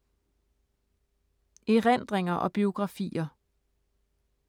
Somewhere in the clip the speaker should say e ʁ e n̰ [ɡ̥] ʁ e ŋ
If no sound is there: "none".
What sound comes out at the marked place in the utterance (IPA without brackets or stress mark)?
d̥